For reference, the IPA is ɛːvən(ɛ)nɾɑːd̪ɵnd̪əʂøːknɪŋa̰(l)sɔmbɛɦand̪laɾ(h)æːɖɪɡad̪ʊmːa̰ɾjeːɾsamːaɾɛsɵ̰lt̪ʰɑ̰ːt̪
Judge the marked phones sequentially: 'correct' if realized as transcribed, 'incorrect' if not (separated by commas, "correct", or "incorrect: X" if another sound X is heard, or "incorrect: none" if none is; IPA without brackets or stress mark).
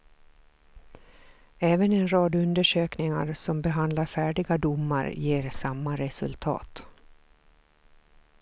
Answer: correct, incorrect: ɾ, incorrect: f